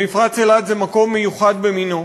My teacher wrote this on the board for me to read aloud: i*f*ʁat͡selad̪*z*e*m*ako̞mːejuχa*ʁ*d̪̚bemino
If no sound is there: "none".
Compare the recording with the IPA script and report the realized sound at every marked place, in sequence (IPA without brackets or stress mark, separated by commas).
f, z, m, none